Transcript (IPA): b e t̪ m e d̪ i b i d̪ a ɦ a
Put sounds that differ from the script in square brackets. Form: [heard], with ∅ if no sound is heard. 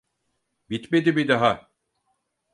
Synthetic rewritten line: b [i] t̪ m e d̪ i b i d̪ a ɦ a